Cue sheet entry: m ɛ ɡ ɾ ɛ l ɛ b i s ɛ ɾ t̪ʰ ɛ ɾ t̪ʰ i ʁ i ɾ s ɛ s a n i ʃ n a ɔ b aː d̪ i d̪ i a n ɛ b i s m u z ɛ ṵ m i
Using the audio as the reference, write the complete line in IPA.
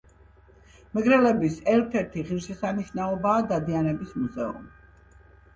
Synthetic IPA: m ɛ ɡ ɾ ɛ l ɛ b i s ɛ ɾ t̪ʰ ɛ ɾ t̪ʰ i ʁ i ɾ ʃ ɛ s a n i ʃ n a ɔ b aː d̪ a d̪ i a n ɛ b i s m u z ɛ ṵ m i